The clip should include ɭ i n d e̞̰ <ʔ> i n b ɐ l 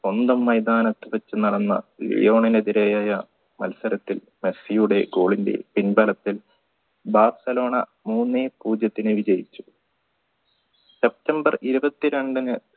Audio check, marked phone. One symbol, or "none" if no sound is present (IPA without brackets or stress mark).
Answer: p